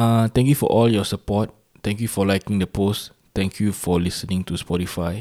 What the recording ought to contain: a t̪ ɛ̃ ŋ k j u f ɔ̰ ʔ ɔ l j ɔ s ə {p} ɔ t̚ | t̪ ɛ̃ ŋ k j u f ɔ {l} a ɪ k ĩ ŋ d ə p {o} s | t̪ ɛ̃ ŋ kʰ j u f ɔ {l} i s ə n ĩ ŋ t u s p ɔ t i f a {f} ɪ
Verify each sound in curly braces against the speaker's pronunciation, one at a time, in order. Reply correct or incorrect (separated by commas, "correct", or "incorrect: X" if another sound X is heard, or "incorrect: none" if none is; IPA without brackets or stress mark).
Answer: correct, correct, correct, correct, incorrect: none